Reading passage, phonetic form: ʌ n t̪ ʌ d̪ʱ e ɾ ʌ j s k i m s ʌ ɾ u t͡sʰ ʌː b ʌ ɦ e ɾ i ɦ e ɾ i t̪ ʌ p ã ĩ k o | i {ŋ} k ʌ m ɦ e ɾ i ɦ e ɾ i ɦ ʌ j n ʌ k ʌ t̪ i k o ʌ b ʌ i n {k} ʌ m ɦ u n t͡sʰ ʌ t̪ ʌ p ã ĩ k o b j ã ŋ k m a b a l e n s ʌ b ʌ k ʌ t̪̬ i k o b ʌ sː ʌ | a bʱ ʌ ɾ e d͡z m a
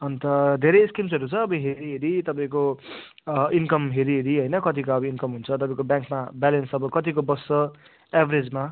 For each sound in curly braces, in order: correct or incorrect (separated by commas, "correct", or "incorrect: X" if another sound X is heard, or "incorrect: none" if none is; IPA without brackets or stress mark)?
incorrect: n, correct